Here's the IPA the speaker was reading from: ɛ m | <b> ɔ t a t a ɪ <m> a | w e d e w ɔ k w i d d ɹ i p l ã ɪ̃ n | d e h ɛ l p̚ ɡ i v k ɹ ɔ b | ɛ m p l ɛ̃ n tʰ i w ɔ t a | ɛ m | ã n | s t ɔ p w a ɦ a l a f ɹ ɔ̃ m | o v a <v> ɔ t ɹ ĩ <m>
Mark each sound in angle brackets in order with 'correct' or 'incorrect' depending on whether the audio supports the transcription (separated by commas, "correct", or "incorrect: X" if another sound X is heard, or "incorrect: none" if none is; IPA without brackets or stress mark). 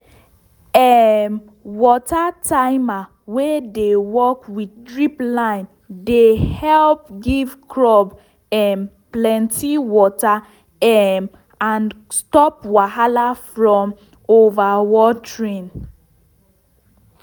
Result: incorrect: w, correct, incorrect: w, incorrect: n